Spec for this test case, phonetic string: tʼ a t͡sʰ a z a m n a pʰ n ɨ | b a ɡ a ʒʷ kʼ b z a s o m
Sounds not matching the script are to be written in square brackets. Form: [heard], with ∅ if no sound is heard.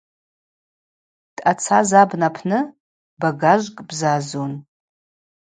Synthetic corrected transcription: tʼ a t͡sʰ a z a [b] n a pʰ n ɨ | b a ɡ a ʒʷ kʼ b z a [z] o [n]